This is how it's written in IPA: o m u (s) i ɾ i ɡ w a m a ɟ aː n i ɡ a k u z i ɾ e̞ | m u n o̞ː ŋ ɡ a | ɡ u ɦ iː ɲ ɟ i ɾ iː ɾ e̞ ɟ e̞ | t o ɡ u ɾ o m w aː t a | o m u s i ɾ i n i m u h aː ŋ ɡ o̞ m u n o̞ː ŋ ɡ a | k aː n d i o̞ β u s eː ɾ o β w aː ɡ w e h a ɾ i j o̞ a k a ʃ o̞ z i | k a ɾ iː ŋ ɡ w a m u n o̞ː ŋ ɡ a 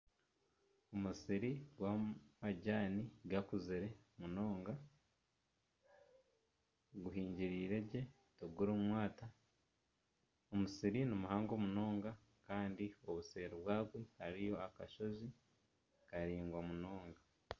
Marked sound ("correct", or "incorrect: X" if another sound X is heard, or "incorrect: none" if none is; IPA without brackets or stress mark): correct